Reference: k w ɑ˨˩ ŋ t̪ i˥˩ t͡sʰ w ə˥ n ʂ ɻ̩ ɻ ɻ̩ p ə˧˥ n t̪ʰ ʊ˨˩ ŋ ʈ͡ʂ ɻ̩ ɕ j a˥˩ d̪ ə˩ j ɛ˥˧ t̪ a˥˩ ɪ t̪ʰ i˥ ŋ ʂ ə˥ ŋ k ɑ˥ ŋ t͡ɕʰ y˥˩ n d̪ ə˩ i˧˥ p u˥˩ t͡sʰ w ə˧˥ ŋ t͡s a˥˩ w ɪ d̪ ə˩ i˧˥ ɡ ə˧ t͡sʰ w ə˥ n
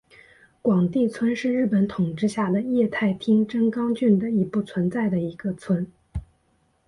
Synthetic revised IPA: k w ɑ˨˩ ŋ t̪ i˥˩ t͡sʰ w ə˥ n ʂ ɻ̩ ɻ ɻ̩ p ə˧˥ n t̪ʰ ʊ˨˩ ŋ ʈ͡ʂ ɻ̩ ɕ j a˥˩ d̪ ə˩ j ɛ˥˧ t̪ʰ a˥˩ ɪ t̪ʰ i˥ ŋ ʈ͡ʂ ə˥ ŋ k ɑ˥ ŋ t͡ɕ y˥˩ n d̪ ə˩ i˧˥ p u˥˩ t͡sʰ w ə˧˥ n t͡s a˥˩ ɪ d̪ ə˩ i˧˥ ɡ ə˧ t͡sʰ w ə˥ n